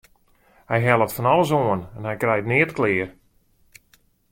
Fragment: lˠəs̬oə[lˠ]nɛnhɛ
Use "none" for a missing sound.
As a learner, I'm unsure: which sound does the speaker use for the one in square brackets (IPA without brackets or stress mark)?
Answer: none